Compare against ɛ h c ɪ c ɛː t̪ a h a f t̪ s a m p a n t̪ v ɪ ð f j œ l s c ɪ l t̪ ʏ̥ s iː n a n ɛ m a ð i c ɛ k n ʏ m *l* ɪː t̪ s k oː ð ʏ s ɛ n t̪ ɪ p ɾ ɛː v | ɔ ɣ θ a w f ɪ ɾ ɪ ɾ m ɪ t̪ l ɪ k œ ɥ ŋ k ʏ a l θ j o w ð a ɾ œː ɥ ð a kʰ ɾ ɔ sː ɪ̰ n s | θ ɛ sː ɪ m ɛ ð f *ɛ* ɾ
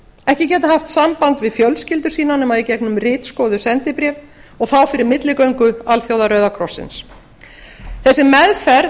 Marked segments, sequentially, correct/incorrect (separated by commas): incorrect, correct